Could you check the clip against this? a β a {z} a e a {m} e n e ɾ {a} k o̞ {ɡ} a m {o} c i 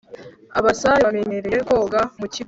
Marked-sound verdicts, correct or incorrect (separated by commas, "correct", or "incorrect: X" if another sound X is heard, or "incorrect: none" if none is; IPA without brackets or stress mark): incorrect: s, correct, incorrect: e, correct, incorrect: u